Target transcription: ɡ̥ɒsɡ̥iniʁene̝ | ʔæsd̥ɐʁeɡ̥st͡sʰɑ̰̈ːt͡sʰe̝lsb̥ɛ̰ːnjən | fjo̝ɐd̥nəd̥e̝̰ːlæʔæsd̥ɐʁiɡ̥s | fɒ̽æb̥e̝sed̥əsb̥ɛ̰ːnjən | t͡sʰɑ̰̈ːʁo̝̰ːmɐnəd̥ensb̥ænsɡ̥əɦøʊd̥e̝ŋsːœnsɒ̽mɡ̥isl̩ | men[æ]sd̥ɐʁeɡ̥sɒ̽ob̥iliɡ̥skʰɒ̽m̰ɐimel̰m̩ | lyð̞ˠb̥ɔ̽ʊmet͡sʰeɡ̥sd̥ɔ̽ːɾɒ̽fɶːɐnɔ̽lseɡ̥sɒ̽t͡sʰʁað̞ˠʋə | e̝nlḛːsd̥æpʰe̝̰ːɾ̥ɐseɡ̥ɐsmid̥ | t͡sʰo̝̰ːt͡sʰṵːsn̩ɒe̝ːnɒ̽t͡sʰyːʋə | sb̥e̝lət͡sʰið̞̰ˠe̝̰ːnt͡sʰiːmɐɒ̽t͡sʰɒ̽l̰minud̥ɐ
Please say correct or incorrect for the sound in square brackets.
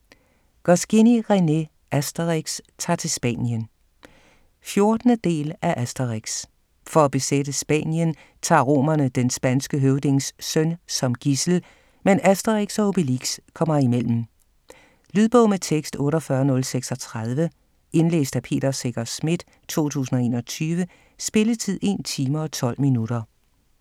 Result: correct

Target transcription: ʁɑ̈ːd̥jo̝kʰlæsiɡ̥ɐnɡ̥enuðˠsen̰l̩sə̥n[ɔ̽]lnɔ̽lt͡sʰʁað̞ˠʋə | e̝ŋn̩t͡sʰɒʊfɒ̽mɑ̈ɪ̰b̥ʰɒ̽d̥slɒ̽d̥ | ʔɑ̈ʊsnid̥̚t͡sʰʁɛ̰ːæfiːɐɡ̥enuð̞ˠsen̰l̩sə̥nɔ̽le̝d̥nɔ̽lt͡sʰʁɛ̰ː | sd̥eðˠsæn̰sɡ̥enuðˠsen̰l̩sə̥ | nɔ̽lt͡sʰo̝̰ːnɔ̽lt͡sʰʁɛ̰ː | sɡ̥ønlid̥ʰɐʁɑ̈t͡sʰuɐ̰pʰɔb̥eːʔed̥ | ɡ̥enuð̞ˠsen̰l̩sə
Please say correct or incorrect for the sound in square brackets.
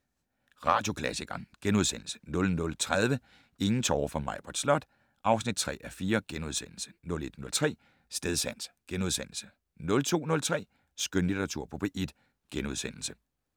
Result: correct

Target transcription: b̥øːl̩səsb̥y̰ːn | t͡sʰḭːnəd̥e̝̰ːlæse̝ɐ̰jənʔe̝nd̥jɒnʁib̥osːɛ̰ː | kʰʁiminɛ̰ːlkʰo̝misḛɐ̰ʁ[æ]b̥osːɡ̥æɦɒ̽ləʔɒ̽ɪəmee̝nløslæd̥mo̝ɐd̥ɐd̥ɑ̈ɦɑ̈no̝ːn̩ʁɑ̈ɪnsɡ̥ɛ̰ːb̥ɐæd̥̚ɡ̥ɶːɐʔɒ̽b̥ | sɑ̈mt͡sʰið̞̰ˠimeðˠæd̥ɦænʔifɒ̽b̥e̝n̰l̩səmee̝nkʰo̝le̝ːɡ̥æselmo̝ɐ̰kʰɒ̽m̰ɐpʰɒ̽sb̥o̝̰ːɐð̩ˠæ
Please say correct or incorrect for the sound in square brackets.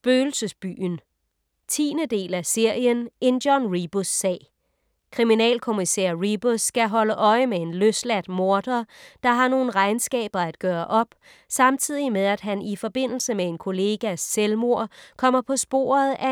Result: incorrect: i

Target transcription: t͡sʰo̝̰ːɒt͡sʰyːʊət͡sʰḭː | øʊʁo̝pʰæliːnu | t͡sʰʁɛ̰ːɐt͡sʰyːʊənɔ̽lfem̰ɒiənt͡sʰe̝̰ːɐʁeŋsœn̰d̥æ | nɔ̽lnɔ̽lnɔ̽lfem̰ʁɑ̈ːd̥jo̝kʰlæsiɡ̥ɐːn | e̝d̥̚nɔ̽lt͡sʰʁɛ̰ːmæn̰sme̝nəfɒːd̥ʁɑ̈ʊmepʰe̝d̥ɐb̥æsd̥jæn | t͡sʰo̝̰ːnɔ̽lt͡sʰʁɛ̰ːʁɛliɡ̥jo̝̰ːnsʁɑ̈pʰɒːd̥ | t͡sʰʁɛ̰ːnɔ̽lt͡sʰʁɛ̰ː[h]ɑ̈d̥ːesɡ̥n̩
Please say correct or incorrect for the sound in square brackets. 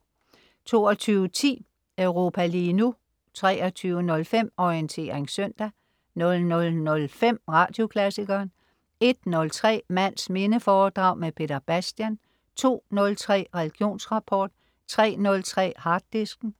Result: correct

